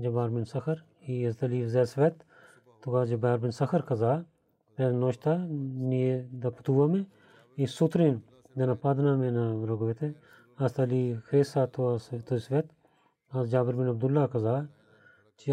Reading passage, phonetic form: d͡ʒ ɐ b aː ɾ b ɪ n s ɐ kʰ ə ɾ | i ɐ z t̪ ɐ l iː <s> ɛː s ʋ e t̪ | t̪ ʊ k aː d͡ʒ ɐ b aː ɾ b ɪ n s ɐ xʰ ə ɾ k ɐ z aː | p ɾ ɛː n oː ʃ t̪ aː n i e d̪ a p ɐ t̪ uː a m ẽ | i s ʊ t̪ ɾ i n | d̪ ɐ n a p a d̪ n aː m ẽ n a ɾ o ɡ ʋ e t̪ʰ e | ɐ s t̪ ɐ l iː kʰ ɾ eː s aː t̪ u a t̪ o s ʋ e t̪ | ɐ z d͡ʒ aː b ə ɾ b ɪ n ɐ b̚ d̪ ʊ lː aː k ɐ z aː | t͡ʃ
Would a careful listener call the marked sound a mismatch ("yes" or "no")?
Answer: yes